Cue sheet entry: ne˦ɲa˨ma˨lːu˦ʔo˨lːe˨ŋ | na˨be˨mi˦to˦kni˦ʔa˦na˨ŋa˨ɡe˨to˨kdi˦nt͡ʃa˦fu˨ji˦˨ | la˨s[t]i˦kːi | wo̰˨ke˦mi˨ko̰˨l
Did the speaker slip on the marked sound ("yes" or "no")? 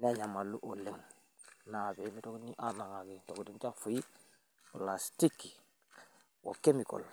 no